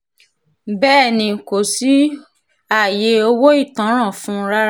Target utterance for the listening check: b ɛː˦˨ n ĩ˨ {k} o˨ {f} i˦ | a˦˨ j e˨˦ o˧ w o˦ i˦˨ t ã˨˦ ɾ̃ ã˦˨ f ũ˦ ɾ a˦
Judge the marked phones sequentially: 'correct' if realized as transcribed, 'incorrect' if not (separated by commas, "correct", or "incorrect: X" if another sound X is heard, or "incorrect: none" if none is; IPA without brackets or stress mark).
correct, incorrect: s